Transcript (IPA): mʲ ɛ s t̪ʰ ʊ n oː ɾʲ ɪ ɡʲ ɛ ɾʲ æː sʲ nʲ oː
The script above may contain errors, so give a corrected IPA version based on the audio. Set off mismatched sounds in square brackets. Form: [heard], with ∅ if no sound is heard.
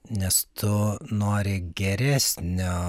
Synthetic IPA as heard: [nʲ] ɛ s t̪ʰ ʊ n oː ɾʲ ɪ ɡʲ ɛ ɾʲ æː sʲ nʲ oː